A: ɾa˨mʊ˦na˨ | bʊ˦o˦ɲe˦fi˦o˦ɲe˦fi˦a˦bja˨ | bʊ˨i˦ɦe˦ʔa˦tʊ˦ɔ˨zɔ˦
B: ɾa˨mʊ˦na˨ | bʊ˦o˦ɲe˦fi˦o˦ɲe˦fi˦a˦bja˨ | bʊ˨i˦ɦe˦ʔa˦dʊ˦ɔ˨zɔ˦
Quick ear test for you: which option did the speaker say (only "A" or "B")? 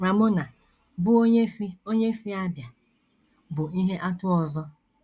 A